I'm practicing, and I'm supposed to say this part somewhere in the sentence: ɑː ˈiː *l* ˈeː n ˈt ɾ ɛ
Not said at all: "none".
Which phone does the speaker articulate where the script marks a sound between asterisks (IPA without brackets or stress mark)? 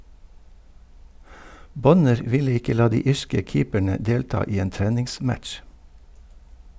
none